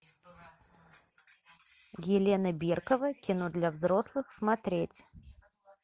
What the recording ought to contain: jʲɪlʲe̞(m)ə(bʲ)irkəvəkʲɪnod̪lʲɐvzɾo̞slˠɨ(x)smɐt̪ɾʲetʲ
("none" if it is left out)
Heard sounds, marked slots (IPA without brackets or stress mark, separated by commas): n, bʲ, x